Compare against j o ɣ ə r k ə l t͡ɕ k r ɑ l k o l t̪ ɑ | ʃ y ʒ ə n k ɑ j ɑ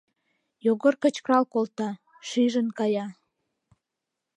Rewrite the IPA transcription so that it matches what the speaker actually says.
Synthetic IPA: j o ɣ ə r k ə t͡ɕ k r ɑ l k o l t̪ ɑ | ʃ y ʒ ə n k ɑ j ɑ